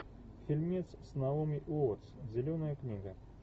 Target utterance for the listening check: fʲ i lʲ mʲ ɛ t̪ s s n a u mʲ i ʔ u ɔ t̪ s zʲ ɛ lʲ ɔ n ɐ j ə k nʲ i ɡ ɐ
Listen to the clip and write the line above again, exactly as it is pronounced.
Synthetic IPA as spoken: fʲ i lʲ mʲ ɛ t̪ s s n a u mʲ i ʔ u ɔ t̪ s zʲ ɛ lʲ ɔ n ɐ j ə k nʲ i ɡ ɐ